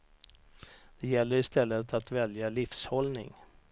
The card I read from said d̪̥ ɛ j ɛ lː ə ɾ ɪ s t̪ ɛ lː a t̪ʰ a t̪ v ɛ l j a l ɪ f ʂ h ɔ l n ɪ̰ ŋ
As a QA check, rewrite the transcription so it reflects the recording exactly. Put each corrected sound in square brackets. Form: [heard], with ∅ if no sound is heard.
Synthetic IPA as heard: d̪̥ ɛ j ɛ lː ə ɾ ɪ s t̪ ɛ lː [ə] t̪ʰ a t̪ v ɛ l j a l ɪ f [s] h ɔ l n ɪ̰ ŋ